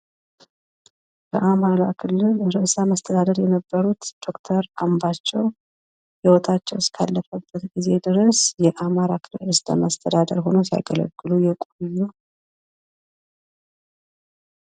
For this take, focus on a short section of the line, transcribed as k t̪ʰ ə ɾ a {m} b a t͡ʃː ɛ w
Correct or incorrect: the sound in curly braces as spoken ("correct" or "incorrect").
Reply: correct